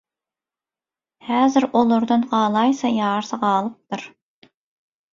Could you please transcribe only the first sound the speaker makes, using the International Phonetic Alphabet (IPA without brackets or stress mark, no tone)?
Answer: h